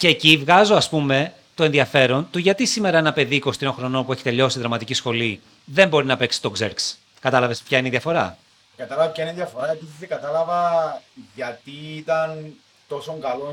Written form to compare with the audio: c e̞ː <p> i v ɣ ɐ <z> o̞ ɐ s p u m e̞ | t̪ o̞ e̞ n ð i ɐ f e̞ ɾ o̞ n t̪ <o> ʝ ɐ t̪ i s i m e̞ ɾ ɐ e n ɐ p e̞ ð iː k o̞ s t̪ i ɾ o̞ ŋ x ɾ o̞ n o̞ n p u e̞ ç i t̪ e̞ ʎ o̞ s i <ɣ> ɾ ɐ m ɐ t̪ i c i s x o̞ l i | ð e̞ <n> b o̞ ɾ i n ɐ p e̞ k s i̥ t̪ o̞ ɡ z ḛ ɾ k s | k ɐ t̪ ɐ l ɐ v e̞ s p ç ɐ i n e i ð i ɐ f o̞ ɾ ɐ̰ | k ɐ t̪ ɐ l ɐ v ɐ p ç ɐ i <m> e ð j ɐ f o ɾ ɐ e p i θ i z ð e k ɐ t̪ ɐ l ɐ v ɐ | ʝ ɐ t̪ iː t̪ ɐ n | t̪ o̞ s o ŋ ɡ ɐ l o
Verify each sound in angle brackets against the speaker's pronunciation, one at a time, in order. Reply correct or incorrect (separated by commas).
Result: incorrect, correct, incorrect, incorrect, incorrect, incorrect